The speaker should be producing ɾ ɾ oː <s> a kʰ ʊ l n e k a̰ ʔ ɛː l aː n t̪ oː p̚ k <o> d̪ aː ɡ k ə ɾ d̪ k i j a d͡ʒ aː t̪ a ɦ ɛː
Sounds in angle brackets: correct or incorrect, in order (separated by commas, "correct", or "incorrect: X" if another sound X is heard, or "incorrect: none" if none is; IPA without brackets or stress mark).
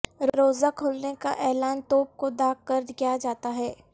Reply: incorrect: z, correct